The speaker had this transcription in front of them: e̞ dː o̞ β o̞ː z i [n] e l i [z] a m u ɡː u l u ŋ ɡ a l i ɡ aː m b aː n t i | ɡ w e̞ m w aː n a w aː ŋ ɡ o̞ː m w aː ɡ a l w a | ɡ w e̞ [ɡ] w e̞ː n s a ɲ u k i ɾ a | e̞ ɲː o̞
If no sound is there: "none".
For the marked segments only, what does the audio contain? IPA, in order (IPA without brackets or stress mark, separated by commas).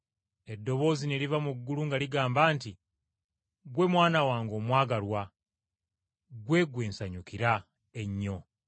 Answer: n, v, ɡ